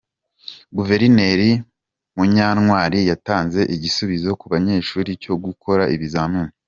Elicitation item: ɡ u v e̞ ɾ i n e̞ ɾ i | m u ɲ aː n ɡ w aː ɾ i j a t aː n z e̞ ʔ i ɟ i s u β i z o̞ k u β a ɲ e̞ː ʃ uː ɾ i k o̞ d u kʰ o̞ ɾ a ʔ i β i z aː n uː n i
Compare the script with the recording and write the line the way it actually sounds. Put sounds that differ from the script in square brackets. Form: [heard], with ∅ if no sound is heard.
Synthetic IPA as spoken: ɡ u v e̞ ɾ i n e̞ ɾ i | m u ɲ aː n [ŋ] w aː ɾ i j a t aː n z e̞ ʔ i ɟ i s u β i z o̞ k u β a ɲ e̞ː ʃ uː ɾ i [c] o̞ [ɡ] u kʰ o̞ ɾ a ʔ i β i z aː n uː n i